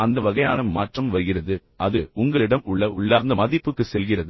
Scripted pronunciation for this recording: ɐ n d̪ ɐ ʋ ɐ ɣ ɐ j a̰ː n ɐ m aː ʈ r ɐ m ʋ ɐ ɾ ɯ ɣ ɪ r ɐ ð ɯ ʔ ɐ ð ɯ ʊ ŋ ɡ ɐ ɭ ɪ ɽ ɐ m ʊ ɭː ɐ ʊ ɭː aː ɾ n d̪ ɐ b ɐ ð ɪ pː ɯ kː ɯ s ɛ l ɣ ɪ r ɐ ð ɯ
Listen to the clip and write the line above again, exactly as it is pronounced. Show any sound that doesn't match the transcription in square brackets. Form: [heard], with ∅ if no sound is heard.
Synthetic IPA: ɐ n d̪ ɐ ʋ ɐ ɣ ɐ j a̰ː n ɐ m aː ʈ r ɐ m ʋ ɐ ɾ ɯ ɣ ɪ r ɐ ð ɯ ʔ ɐ ð ɯ ʊ ŋ ɡ ɐ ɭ ɪ ɽ ɐ m ʊ ɭː ɐ ʊ ɭː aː ɾ n d̪ ɐ [m] ɐ ð ɪ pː ɯ kː ɯ s ɛ l ɣ ɪ r ɐ ð ɯ